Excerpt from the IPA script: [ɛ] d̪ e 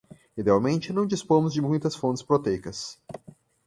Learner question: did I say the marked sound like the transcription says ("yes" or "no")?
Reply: no